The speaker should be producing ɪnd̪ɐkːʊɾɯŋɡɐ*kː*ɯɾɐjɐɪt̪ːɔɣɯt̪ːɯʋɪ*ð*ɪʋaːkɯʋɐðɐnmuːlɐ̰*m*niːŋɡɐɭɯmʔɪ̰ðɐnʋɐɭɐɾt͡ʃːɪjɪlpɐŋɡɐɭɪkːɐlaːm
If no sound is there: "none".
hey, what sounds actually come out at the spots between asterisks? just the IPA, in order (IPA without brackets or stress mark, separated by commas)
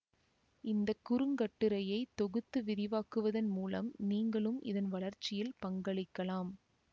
ʈː, ð, m